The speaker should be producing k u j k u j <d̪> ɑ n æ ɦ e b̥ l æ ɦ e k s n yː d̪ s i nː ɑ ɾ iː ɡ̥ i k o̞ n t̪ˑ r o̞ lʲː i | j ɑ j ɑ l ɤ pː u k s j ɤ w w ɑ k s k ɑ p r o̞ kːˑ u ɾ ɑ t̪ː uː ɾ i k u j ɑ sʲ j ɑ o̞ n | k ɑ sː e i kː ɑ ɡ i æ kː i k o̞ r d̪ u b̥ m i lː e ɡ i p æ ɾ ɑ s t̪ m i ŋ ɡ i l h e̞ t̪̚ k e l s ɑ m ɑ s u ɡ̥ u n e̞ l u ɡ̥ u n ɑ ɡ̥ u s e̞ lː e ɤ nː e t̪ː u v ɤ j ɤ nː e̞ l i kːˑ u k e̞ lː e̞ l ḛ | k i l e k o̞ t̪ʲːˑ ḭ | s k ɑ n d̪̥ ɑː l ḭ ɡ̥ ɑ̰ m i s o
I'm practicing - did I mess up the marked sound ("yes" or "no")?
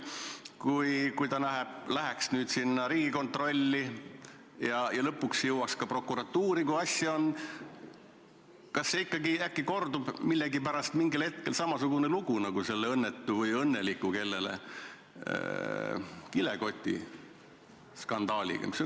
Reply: yes